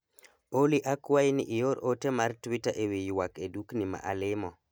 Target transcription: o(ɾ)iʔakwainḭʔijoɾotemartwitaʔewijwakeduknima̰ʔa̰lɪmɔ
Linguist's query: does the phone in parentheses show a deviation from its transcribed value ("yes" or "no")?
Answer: yes